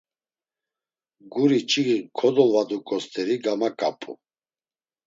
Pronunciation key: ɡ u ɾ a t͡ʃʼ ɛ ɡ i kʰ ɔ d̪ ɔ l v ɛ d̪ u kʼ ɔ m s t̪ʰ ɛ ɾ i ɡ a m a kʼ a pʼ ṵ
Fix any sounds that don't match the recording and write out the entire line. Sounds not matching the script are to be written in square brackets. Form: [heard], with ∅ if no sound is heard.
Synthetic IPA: ɡ u ɾ [i] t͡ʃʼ [i] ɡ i kʰ ɔ d̪ ɔ l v [a] d̪ u kʼ ɔ [∅] s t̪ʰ ɛ ɾ i ɡ a m a kʼ a pʼ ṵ